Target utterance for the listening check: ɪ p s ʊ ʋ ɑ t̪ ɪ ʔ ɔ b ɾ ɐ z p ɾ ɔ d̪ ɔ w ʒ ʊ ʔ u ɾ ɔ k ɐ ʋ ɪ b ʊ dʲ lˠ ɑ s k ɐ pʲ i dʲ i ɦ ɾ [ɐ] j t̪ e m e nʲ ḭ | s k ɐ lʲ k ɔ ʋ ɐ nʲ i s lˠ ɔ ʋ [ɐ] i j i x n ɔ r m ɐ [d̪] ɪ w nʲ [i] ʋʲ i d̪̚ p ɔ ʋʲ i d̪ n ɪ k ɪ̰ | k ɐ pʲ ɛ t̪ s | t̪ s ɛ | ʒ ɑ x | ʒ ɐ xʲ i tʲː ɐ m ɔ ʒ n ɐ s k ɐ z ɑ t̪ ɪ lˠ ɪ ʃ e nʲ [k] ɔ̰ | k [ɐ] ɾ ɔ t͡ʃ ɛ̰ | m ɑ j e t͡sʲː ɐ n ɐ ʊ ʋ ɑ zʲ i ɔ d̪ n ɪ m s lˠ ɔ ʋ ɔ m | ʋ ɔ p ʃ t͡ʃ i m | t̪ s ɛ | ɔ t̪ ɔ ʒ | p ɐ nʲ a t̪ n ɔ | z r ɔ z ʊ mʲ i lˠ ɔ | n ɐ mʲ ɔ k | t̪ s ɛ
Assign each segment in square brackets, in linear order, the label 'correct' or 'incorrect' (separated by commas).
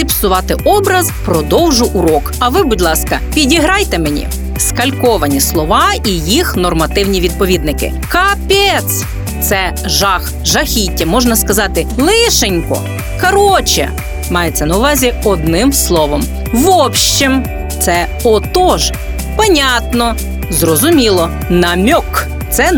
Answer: incorrect, incorrect, incorrect, correct, correct, correct